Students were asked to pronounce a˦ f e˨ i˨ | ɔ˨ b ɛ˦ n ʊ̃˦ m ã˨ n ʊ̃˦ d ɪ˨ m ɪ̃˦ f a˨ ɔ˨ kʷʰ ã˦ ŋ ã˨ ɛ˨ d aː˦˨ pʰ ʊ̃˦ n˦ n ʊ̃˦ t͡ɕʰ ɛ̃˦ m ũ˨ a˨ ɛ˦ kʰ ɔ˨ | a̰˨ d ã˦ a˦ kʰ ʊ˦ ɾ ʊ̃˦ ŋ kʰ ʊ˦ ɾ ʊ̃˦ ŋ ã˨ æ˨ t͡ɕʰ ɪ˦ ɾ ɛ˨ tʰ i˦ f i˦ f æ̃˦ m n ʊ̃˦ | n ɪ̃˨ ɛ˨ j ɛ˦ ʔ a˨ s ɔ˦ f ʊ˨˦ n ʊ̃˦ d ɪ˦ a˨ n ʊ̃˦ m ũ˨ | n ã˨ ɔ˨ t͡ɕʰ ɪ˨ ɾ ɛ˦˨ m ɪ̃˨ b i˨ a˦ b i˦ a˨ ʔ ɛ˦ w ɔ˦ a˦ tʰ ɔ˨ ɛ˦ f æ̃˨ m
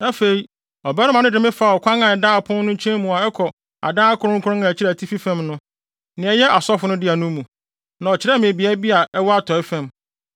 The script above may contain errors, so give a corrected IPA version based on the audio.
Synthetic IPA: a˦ f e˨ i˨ | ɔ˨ b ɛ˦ n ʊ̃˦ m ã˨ n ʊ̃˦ d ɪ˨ m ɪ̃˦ f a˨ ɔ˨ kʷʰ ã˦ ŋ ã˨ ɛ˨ d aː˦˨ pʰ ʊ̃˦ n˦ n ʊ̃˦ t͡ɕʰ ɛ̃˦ m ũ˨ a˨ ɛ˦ kʰ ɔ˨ | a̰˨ d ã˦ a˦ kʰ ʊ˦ ɾ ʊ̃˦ ŋ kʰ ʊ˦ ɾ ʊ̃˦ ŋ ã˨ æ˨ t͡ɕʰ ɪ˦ ɾ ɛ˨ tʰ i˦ f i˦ f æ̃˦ m n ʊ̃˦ | n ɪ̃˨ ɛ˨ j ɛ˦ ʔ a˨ s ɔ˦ f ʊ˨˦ n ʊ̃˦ d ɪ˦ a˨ n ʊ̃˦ m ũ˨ | n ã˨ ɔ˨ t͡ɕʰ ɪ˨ ɾ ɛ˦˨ m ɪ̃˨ b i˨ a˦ b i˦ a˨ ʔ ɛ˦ w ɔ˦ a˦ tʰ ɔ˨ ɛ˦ f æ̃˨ m